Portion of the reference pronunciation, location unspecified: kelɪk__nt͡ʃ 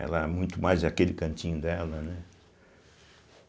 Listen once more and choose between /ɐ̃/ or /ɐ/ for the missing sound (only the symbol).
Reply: ɐ̃